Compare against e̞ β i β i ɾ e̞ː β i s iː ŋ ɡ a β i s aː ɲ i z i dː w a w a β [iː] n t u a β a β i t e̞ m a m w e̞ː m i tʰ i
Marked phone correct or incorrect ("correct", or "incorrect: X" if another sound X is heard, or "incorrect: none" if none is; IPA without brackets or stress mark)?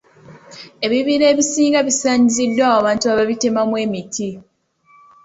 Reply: incorrect: aː